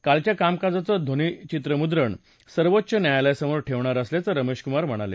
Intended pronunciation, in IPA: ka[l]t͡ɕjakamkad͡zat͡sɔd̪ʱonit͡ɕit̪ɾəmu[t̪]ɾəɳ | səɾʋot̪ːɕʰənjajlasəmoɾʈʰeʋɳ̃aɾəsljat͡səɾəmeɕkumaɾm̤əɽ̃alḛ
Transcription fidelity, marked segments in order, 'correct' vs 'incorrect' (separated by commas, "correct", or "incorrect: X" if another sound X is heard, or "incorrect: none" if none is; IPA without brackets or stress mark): correct, incorrect: d̪